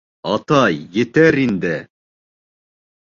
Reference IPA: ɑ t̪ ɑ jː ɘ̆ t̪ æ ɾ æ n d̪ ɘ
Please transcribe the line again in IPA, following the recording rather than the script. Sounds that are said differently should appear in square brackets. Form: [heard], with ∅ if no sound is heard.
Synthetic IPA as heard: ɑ t̪ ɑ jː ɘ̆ t̪ æ ɾ [i] n d̪ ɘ